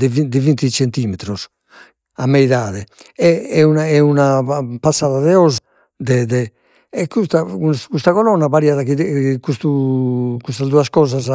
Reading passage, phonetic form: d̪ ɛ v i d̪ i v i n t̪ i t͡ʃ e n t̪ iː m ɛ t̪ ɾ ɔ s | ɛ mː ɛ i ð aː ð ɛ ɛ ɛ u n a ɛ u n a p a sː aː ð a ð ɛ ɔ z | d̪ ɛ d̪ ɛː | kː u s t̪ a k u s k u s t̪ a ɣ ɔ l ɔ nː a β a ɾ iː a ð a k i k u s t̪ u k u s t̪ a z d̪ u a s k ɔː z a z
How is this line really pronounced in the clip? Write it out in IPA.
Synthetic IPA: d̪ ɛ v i d̪ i v i n t̪ i t͡ʃ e n t̪ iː m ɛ t̪ ɾ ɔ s | a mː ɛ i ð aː ð ɛ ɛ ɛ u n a ɛ u n a p a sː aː ð a ð ɛ ɔ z | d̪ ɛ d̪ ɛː | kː u s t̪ a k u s k u s t̪ a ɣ ɔ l ɔ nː a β a ɾ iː a ð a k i k u s t̪ u k u s t̪ a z d̪ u a s k ɔː z a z